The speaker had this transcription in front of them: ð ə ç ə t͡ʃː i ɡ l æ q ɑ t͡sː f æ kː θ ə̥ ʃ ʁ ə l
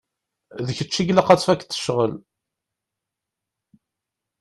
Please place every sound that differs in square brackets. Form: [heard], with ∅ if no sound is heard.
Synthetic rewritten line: ð ə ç ə t͡ʃː i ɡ l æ q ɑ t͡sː f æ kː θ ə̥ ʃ ʁ ə l